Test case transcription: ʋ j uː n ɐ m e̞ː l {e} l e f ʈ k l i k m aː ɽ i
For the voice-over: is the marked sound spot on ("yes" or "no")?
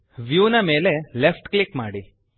yes